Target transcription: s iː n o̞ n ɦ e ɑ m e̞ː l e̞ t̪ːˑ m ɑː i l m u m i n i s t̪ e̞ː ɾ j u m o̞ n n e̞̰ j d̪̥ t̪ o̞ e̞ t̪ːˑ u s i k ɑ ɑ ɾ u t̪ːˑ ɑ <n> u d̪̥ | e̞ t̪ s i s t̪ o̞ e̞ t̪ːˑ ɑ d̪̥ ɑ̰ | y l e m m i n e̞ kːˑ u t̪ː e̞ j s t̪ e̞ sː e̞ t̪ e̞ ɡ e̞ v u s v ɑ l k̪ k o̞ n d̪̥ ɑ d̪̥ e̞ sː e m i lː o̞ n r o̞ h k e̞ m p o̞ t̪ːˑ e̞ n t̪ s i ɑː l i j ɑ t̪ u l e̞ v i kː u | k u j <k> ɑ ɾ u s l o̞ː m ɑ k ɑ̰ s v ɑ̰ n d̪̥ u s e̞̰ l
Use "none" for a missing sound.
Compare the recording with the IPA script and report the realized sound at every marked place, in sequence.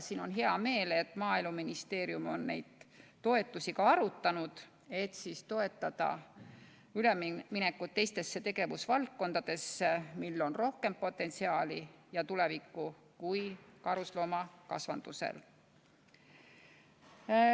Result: n, k

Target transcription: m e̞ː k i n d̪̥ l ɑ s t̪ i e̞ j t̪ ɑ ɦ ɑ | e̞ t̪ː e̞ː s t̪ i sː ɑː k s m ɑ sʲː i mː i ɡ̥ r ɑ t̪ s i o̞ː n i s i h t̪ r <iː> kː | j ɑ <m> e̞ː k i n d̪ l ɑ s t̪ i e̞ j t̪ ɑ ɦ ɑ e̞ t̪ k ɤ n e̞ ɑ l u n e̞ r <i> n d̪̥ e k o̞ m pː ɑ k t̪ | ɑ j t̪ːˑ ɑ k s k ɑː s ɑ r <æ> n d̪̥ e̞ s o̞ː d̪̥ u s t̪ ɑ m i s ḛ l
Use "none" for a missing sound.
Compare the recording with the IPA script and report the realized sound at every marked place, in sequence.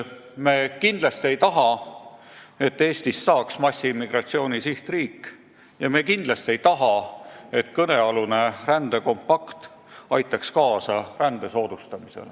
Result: iː, m, æ, æ

